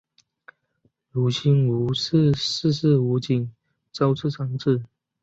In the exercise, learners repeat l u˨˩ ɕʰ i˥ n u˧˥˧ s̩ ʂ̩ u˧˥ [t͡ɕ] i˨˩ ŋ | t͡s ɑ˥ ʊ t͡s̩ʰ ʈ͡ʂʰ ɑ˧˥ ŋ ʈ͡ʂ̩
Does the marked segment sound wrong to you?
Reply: no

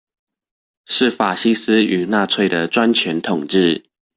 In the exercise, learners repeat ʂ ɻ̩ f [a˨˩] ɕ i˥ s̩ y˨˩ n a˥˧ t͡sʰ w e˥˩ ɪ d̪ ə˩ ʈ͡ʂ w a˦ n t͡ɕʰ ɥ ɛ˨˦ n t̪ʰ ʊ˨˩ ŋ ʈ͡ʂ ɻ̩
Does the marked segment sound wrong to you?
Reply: no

